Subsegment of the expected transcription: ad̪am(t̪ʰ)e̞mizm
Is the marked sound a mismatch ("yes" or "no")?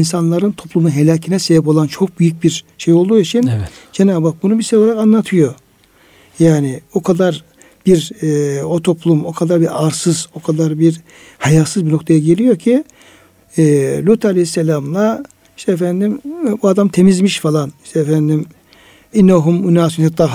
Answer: no